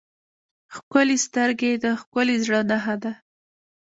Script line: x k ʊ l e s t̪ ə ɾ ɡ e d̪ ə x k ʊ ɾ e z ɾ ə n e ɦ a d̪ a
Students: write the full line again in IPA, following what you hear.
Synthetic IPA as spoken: x k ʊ l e s t̪ ə ɾ ɡ e d̪ ə x k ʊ l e z ɽ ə n a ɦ a d̪ a

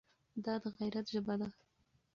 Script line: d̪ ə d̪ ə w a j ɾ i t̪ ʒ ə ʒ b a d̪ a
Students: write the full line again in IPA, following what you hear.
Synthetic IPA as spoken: d̪ ɑ d̪ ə ɣ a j ɾ a t̪ ʒ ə b a d̪ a

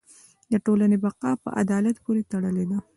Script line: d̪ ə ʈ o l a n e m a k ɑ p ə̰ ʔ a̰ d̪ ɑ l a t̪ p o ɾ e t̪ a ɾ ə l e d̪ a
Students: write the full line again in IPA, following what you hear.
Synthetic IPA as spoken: d̪ ə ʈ o l a n e b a q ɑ p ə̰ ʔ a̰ d̪ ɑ l a t̪ p o ɾ e t̪ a ɽ ə l e d̪ a

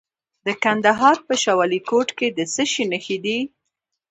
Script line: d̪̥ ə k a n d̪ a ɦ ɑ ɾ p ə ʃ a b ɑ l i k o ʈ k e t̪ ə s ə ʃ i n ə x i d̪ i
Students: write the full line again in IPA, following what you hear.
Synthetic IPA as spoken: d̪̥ ə k a n d̪ a ɦ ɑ ɾ p ə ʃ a w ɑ l i k o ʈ k e d̪ ə s ə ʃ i n ə x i d̪ i

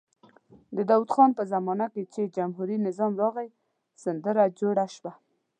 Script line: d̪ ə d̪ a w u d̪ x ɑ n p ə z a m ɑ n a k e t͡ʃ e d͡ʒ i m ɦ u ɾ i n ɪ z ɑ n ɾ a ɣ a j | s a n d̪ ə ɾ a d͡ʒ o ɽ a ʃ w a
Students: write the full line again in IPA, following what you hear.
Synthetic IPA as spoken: d̪ ə d̪ a w u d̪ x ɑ n p ə z a m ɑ n a k e t͡ʃ e d͡ʒ a m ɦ u ɾ i n ɪ z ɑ m ɾ ɑ ɣ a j | s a n d̪ ə ɾ a d͡ʒ o ɽ a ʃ w a

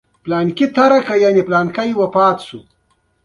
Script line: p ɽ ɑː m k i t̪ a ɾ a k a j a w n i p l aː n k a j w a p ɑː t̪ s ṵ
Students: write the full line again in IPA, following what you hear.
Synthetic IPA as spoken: p l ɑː n k i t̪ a ɾ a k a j a n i p l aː n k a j w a p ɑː t̪ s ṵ

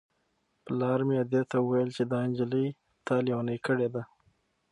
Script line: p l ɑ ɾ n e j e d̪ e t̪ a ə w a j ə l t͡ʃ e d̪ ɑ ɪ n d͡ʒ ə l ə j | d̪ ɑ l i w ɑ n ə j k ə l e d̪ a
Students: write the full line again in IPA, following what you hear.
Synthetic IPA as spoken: p l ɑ ɾ m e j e d̪ e t̪ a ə w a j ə l t͡ʃ e d̪ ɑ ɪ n d͡ʒ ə l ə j | t̪ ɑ l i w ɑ n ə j k ə ɽ e d̪ a

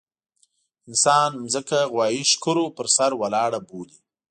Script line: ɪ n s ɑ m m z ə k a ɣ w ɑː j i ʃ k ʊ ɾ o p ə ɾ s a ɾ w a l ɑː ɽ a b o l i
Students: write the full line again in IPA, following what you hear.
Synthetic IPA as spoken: ɪ n s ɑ n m z ə k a ɣ w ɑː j i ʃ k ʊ ɾ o p ə ɾ s a ɾ w a l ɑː ɽ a b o l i

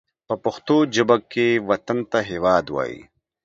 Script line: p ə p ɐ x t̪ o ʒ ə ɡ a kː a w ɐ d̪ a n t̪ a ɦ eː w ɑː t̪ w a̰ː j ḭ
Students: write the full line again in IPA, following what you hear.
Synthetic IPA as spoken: p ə p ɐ x t̪ o d͡ʒ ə b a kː e w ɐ t̪ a n t̪ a ɦ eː w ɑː d̪ w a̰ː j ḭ

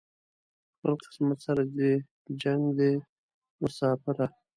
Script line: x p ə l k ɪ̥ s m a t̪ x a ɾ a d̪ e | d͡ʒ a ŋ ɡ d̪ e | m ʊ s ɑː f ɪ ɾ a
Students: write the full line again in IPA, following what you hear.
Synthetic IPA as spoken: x p ə l q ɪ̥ s m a t̪ s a ɾ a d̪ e | d͡ʒ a ŋ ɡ d̪ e | m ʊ s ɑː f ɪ ɾ a

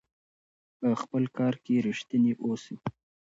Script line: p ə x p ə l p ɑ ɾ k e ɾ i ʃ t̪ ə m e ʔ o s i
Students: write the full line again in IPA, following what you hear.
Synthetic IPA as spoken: p ə x p ə l k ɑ ɾ k e ɾ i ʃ t̪ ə n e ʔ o s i

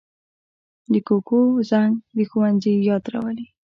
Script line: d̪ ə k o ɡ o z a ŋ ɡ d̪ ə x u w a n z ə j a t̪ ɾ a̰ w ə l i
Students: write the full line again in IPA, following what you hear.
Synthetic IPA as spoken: d̪ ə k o k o z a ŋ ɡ d̪ ə x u w a n z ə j ɑ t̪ ɾ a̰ w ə l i

